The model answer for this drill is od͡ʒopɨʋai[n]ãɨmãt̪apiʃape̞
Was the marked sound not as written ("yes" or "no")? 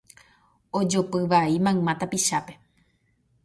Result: yes